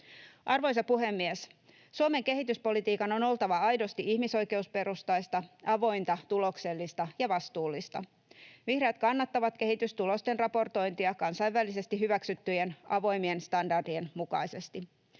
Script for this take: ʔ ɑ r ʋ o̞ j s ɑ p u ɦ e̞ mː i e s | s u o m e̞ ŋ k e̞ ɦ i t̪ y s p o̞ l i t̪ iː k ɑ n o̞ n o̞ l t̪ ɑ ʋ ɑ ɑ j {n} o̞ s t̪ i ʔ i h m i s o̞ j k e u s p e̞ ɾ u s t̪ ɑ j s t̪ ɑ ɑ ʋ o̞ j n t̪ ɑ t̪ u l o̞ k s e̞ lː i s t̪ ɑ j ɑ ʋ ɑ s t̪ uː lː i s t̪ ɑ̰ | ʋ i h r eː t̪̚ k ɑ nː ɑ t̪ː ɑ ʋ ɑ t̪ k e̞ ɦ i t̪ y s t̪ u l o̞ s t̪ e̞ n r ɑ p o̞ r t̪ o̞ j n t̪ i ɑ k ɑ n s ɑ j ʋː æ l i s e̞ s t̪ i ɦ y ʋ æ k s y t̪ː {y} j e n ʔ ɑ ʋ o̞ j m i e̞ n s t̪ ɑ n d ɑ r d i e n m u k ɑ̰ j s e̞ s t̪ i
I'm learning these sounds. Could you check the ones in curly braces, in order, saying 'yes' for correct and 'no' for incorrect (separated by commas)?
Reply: no, yes